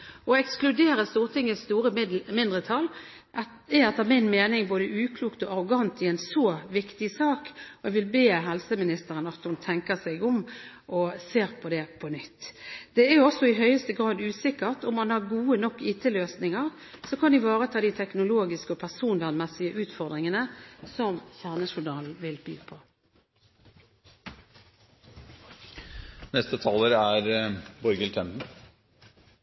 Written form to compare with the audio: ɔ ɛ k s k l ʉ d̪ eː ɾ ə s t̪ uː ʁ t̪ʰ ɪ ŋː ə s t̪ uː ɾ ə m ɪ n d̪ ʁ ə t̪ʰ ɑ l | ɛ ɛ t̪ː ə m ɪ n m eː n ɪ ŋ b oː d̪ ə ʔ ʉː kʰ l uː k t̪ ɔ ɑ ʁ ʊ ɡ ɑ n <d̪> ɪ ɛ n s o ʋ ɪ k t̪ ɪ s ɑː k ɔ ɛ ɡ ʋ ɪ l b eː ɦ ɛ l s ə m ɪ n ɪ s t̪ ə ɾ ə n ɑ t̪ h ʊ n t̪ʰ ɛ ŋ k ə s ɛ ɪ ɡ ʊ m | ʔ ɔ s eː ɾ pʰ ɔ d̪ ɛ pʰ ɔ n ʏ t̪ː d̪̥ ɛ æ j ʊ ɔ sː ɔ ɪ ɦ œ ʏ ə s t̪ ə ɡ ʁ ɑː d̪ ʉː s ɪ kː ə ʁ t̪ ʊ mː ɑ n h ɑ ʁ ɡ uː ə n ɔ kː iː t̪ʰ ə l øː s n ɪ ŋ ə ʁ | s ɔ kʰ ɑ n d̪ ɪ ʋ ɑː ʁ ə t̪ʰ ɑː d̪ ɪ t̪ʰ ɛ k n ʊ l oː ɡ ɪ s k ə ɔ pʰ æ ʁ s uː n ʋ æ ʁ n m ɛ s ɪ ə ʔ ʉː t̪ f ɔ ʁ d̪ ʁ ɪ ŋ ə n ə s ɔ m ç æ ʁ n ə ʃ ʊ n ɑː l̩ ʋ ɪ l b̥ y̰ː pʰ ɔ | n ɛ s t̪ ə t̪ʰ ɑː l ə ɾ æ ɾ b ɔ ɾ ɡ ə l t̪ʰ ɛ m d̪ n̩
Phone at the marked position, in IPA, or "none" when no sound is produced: t̪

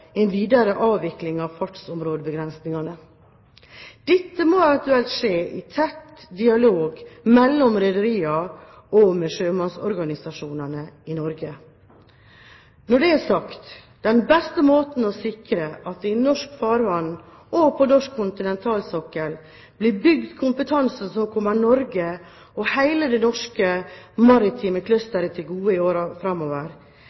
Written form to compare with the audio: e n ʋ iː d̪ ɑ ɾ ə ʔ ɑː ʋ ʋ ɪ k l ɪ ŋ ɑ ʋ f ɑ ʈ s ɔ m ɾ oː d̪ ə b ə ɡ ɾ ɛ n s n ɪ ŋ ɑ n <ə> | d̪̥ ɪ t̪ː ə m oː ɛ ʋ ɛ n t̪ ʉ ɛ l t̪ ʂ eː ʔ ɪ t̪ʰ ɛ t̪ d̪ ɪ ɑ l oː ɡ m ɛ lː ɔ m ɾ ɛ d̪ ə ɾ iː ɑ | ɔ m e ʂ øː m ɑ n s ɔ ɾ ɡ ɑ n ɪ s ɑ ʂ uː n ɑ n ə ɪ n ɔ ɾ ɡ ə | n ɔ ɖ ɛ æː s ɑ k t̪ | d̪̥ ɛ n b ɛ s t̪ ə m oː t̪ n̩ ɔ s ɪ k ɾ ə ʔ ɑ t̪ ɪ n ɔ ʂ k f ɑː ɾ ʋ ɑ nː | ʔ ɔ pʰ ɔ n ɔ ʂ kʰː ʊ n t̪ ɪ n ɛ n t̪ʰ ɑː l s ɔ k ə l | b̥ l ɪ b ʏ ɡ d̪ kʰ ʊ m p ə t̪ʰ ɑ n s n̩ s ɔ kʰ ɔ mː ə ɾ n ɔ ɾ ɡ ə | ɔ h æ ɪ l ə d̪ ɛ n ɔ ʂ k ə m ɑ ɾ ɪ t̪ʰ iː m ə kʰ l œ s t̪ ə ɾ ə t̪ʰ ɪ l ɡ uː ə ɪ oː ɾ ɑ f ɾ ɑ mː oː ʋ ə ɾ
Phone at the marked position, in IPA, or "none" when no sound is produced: ə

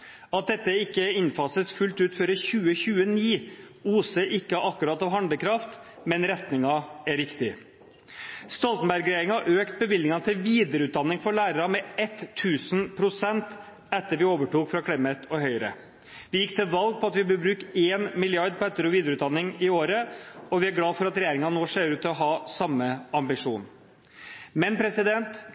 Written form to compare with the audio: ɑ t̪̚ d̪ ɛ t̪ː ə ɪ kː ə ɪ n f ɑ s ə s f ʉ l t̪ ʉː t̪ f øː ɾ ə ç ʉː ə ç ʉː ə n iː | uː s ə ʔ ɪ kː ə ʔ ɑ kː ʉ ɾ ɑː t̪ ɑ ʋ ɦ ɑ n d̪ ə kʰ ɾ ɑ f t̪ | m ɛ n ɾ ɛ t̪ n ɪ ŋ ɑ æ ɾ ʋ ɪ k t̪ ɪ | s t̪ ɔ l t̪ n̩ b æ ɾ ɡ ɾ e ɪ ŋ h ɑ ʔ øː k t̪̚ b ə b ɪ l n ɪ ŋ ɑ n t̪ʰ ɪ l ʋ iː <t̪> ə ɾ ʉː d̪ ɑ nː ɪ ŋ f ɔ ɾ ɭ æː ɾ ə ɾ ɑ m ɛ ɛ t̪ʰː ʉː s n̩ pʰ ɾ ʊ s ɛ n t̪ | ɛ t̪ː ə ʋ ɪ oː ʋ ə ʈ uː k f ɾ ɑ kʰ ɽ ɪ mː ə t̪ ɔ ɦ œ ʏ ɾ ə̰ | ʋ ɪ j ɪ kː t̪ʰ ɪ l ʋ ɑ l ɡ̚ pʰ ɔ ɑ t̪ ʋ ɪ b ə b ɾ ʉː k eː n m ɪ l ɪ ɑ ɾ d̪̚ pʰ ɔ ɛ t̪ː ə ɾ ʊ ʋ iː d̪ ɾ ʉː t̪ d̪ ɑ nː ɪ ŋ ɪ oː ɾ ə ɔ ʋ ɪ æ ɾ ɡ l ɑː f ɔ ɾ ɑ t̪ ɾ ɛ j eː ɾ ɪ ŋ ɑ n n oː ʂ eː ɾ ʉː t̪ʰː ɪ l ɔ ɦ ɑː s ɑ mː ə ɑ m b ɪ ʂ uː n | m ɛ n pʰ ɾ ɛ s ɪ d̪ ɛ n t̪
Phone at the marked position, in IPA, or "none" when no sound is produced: d̪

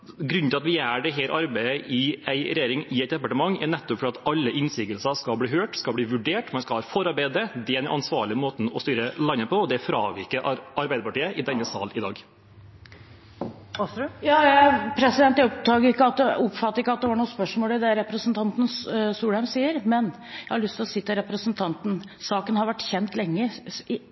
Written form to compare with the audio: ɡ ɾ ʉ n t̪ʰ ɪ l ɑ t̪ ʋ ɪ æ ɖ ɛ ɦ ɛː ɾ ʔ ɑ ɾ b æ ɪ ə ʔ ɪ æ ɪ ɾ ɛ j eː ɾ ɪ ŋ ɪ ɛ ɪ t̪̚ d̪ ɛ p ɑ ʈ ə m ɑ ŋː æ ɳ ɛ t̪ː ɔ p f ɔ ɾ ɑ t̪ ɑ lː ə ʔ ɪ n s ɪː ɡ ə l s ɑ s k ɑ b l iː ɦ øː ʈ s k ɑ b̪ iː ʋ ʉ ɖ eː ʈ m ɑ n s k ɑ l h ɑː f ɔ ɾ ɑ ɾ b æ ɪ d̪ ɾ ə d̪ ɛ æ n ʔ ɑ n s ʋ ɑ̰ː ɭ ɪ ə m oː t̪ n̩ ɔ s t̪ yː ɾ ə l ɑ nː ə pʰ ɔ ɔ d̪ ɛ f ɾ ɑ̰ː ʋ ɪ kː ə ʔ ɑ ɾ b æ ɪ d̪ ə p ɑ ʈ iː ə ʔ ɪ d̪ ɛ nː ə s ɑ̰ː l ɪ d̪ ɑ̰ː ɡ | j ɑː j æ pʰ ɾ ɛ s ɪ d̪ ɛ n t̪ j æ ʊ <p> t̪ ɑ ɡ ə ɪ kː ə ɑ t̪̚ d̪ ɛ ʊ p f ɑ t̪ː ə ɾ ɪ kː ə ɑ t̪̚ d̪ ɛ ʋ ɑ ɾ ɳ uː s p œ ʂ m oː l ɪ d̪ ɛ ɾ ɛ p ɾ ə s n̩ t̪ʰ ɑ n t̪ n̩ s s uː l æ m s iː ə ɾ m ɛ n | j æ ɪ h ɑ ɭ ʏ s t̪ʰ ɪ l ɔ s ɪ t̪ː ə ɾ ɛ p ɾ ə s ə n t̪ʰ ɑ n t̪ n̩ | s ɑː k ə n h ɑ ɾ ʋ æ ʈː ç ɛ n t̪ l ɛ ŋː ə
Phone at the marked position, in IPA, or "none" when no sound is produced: p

